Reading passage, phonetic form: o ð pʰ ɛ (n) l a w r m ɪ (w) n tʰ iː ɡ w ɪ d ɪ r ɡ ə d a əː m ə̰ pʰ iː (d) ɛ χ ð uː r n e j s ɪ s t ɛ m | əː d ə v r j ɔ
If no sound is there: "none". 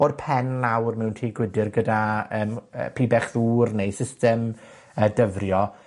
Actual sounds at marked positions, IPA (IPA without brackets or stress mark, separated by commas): n, w, b